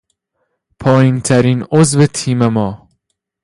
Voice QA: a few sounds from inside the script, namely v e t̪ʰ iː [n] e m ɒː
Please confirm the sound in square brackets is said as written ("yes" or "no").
no